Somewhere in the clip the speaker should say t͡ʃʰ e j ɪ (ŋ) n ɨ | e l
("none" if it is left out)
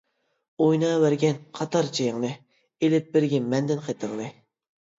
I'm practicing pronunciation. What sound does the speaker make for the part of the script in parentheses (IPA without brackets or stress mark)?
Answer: ŋ